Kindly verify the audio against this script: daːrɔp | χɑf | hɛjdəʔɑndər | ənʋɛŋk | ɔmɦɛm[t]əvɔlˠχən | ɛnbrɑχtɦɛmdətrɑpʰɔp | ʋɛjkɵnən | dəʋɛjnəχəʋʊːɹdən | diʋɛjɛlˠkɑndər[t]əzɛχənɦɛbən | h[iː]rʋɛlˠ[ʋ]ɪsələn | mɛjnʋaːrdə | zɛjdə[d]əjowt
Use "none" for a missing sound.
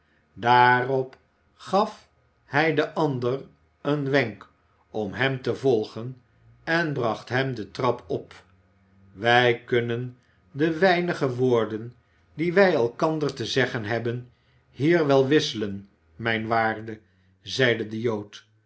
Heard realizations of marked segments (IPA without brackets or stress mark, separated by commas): t, t, iː, ʋ, d